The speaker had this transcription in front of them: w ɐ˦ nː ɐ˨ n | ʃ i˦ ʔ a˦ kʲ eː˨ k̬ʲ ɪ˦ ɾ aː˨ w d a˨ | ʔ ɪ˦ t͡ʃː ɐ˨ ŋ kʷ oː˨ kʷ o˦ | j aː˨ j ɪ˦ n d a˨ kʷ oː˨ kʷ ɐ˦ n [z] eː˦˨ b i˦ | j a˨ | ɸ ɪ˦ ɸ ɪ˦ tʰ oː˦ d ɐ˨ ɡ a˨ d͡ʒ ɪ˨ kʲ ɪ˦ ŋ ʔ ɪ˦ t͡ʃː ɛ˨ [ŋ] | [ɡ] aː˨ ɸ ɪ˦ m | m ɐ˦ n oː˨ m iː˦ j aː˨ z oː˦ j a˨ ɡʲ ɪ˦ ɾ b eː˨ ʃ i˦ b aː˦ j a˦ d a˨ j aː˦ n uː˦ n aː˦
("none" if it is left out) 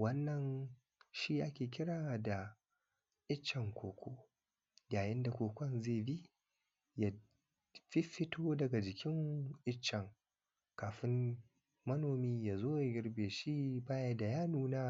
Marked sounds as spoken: z, ŋ, k

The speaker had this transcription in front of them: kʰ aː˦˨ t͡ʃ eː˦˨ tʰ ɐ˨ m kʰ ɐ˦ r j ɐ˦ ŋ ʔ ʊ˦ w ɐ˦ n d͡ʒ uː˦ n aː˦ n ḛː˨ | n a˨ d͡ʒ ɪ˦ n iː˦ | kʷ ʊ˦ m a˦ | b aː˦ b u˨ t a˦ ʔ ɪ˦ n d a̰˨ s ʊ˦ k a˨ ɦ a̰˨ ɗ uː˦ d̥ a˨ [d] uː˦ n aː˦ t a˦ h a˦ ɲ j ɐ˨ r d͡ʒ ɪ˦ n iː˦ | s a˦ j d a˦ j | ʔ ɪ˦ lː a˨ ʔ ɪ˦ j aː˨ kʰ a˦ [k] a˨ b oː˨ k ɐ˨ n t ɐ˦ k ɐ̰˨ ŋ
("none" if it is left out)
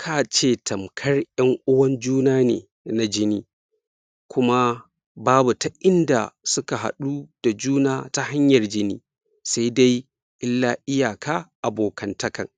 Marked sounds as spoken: d͡ʒ, ʔ

